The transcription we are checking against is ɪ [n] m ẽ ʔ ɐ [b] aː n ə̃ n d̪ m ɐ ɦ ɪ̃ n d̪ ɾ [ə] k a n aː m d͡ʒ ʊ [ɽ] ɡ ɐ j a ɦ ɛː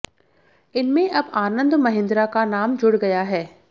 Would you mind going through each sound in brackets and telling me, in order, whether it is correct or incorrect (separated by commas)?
correct, correct, incorrect, correct